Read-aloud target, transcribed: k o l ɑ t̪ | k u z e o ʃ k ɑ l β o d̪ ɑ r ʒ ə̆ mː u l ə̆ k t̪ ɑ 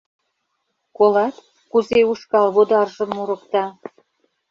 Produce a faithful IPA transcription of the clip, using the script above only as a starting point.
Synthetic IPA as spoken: k o l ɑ t̪ | k u z e u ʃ k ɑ l β o d̪ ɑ r ʒ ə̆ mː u ɾ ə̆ k t̪ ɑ